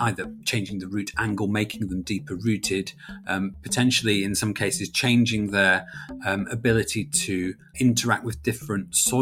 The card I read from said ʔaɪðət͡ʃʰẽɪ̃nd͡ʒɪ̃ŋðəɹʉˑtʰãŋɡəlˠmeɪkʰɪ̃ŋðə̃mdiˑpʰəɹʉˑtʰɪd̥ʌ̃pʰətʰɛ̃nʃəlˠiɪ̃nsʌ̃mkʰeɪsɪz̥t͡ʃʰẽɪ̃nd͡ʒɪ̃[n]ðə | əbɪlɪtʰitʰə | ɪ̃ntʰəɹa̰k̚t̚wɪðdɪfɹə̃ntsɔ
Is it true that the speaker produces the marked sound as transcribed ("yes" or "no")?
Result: no